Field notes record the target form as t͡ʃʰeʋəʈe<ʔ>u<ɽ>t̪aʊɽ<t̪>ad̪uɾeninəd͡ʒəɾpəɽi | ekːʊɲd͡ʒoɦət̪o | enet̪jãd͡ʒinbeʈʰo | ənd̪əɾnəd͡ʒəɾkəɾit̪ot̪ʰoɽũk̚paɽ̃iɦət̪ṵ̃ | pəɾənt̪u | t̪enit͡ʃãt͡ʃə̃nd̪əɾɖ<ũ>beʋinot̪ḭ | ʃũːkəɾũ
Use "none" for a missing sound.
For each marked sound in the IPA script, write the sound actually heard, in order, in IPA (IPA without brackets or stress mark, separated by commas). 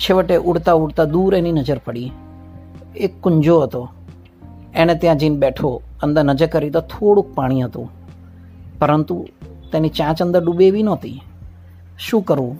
ʔ, ɽ, t̪, u